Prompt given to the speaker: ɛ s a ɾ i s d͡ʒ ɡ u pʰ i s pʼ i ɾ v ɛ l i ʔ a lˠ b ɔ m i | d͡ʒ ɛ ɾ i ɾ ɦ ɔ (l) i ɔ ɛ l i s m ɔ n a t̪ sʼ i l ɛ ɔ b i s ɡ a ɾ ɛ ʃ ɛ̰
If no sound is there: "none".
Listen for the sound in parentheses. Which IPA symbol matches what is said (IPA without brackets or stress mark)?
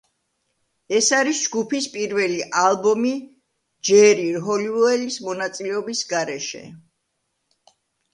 l